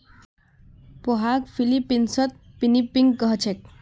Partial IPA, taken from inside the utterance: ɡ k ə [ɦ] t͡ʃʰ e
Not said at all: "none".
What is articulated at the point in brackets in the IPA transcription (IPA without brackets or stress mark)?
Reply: ɦ